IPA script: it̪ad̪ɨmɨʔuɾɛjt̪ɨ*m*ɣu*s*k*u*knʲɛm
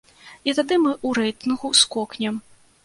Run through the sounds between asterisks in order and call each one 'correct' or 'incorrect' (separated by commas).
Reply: incorrect, correct, incorrect